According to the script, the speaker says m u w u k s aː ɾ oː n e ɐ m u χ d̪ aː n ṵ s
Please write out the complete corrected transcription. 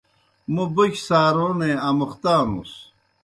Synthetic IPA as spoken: m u b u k s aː ɾ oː n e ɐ m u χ t̪ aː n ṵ s